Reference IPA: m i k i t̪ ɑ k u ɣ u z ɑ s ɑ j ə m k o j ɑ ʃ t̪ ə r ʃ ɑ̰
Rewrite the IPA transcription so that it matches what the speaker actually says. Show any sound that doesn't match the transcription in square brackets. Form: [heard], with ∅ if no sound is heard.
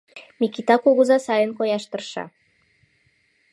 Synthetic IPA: m i k i t̪ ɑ k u ɣ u z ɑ s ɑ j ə [n] k o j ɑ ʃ t̪ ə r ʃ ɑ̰